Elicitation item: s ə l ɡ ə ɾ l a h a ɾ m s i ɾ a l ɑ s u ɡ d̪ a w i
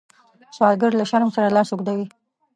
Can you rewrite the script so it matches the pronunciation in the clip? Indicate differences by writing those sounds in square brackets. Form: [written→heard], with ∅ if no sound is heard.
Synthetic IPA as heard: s [ə→ɑ] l ɡ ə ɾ l a [h→ʃ] a ɾ m s [i→a] ɾ a l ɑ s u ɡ d̪ a w i